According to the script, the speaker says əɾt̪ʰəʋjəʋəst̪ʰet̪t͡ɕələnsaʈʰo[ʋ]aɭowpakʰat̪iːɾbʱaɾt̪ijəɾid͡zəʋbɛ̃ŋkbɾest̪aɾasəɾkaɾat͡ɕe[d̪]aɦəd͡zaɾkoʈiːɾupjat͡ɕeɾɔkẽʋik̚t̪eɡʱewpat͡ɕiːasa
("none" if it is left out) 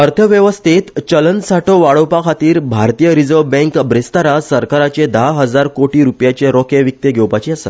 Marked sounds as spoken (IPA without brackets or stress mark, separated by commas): ʋ, d̪